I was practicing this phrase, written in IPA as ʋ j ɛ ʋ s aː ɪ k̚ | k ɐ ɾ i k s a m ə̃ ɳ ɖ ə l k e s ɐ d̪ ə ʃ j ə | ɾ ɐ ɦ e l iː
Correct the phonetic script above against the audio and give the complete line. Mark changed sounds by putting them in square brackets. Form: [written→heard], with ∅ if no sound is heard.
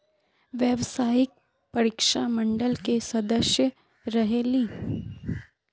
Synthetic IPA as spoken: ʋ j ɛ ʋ s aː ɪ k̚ | [k→p] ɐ ɾ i k [s→ʃ] a m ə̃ ɳ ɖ ə l k e s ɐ d̪ ə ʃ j ə | ɾ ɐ ɦ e l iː